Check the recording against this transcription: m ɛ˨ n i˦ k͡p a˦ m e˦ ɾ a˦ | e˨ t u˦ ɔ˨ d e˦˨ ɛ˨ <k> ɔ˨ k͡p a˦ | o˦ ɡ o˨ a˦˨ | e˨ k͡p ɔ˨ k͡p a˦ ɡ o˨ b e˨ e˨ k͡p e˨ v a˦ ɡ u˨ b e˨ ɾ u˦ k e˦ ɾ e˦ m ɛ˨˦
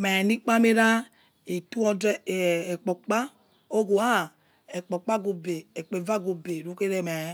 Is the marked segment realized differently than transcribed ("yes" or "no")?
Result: yes